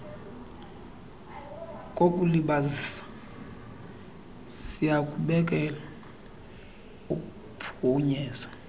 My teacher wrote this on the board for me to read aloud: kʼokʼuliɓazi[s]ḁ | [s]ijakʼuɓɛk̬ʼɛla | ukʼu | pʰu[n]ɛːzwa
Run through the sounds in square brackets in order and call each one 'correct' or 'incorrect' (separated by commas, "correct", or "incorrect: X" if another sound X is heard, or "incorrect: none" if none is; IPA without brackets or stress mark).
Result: correct, correct, incorrect: ɲ